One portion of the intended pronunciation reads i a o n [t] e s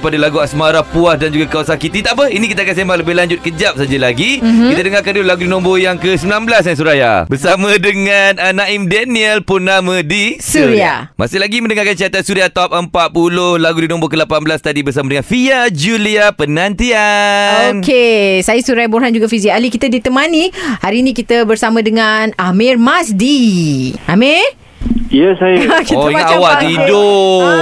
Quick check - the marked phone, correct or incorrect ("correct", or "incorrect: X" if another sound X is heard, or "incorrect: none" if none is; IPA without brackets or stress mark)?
incorrect: k